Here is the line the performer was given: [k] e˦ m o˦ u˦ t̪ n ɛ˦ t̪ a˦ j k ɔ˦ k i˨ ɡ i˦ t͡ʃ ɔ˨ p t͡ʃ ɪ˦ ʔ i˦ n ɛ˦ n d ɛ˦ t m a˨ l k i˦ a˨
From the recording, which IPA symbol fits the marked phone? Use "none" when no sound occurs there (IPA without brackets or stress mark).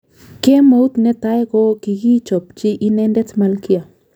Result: k